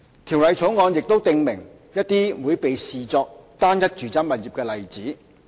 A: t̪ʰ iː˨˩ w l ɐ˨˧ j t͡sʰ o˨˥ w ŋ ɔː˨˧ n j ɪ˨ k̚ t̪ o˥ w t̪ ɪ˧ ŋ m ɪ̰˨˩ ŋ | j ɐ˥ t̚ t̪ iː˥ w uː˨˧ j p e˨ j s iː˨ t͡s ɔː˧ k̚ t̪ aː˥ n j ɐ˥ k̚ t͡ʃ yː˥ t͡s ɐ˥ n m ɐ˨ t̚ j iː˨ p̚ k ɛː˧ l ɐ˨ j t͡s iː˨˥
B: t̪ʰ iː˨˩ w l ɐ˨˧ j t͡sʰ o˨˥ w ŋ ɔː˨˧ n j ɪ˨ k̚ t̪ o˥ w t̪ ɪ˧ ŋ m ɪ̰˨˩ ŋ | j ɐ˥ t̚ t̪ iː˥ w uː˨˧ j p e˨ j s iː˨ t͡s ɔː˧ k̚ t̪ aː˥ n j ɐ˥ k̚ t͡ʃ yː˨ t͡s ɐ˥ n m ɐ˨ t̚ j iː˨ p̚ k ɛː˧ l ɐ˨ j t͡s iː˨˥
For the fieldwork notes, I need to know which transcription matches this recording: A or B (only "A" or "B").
B